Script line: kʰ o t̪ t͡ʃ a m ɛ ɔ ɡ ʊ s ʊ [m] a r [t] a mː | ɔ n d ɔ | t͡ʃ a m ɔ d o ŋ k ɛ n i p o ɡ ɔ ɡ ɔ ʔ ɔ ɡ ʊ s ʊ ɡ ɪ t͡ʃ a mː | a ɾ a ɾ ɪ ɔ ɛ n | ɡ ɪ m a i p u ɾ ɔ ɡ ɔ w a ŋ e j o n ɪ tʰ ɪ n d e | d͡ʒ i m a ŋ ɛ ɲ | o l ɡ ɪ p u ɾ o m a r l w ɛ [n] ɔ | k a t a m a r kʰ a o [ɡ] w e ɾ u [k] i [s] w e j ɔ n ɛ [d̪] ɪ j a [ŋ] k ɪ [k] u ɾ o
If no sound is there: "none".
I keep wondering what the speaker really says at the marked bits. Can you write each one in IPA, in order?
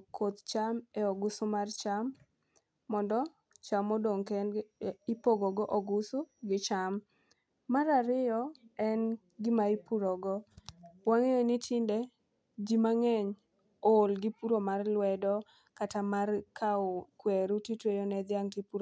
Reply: m, t͡ʃ, d, k, t, t, d̪, ŋ, p

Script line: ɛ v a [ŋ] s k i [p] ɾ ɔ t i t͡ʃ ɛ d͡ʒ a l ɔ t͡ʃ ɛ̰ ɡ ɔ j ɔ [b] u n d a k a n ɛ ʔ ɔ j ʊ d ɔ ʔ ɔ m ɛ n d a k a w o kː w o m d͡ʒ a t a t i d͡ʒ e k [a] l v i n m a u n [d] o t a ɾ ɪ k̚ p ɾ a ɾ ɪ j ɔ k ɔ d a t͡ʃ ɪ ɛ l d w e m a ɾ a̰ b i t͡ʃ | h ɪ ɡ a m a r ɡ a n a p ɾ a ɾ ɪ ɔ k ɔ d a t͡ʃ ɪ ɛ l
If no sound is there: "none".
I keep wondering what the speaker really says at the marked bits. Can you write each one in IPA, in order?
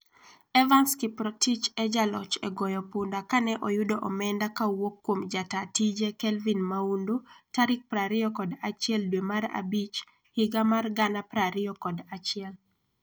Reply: n, p, p, ɛ, d

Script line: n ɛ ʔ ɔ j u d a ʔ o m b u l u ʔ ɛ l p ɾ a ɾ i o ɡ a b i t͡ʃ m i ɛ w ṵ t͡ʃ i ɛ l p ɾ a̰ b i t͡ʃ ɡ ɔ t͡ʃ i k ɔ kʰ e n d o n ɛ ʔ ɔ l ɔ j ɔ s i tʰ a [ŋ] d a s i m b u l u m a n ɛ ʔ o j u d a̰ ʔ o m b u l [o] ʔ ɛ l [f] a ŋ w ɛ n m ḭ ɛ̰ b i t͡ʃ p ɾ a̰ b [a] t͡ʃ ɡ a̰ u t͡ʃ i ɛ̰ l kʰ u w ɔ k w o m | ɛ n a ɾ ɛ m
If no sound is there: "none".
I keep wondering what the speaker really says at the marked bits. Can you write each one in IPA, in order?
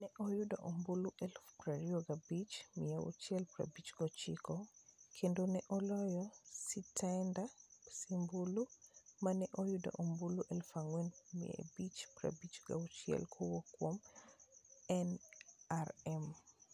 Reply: n, u, f, i

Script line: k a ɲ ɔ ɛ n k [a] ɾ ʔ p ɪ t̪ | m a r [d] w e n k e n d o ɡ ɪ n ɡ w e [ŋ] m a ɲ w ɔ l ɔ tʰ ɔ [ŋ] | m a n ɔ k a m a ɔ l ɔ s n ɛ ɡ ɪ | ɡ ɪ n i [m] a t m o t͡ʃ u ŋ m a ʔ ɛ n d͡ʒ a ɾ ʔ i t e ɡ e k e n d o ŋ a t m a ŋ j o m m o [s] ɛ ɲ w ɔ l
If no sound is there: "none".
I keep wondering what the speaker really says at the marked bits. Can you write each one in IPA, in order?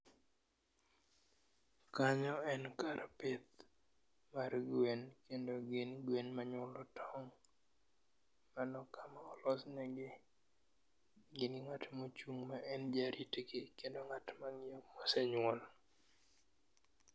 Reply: a, ɡ, n, ŋ, ŋ, s

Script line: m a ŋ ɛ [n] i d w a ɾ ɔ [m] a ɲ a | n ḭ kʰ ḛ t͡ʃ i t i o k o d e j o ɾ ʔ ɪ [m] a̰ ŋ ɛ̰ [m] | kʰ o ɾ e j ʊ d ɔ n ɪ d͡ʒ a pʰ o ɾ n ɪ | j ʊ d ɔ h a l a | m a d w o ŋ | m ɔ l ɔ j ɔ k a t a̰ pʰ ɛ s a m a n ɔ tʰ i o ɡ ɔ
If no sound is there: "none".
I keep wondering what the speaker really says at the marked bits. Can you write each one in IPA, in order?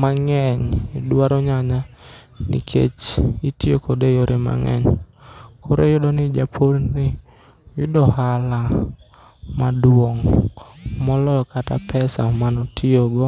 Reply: ɲ, ɲ, m, ɲ

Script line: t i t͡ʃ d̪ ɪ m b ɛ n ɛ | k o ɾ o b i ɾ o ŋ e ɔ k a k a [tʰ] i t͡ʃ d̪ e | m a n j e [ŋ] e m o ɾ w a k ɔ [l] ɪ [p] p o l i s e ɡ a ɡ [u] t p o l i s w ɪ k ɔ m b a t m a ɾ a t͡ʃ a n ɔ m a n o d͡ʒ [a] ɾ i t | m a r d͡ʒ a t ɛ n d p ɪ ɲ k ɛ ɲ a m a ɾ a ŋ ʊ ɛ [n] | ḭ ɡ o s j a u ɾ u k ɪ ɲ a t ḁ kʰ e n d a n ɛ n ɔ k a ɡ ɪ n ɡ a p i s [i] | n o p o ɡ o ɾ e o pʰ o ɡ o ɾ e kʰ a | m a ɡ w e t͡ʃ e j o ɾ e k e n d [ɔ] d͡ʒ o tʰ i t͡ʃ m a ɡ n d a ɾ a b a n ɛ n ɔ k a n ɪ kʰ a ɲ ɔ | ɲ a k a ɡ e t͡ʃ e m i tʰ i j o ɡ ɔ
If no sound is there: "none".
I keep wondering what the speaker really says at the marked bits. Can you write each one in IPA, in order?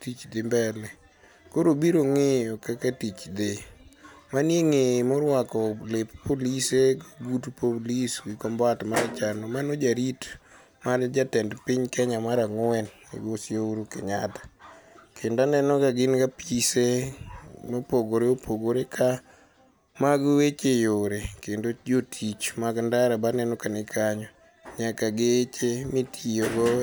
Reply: t, ŋ, l, p, u, a, n, e, o

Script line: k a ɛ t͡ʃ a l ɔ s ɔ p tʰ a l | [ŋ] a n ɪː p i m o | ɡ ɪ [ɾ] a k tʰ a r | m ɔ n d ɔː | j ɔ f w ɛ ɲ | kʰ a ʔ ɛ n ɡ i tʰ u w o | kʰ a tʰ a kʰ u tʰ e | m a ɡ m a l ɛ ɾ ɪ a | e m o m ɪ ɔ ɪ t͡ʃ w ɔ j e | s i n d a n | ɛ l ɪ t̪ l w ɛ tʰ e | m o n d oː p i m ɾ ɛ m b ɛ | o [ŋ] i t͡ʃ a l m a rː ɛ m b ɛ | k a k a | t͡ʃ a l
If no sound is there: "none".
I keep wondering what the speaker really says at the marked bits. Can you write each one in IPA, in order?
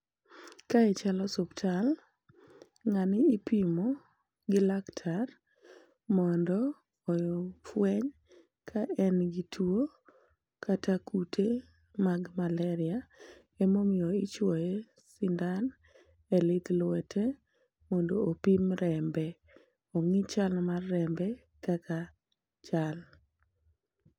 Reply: ŋ, l, ŋ

